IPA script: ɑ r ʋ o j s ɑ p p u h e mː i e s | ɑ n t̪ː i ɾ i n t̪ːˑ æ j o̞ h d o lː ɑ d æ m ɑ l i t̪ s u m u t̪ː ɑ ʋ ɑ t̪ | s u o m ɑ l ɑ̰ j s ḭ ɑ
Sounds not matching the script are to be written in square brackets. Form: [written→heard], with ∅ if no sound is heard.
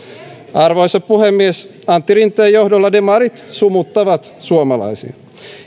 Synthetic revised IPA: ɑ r ʋ o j s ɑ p p u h e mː i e s | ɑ n t̪ː i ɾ i n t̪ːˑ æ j o̞ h d o lː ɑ d [æ→e] m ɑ [l→ɾ] i t̪ s u m u t̪ː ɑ ʋ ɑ t̪ | s u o m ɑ l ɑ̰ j s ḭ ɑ